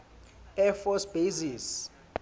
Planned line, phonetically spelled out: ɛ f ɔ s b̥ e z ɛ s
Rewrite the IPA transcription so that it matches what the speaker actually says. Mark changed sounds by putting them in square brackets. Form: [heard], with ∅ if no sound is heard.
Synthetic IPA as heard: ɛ f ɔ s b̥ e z [i] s